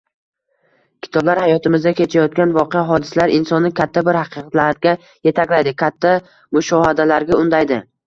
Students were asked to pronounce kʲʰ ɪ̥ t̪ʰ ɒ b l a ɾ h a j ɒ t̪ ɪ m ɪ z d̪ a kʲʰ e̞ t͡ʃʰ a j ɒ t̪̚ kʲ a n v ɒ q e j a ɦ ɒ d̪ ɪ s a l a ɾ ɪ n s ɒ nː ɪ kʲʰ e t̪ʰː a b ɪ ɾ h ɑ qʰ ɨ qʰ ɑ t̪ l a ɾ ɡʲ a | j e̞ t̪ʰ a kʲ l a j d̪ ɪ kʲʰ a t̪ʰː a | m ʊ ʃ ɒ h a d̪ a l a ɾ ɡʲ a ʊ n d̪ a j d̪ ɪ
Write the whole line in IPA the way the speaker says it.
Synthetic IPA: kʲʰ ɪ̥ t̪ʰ ɒ b l a ɾ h a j ɒ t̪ ɪ m ɪ z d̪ a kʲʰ e̞ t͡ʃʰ a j ɒ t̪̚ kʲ a n v ɒ q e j a ɦ ɒ d̪ ɪ s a l a ɾ ɪ n s ɒ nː ɪ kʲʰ a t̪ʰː a b ɪ ɾ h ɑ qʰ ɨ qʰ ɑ t̪ l a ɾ ɡʲ a | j e̞ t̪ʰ a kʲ l a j d̪ ɪ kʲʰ a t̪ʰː a | m ʊ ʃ ɒ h a d̪ a l a ɾ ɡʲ a ʊ n d̪ a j d̪ ɪ